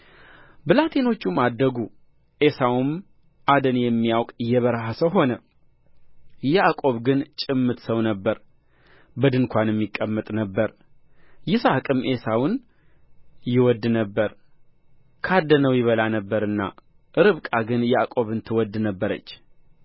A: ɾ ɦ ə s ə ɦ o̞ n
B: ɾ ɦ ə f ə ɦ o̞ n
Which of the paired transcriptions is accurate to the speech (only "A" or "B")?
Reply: A